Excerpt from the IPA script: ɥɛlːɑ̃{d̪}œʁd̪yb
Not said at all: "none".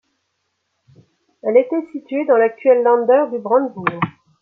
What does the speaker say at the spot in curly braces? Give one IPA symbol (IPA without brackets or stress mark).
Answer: d̪